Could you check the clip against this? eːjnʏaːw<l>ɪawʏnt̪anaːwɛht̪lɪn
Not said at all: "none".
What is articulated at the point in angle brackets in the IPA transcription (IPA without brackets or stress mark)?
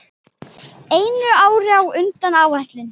ɾ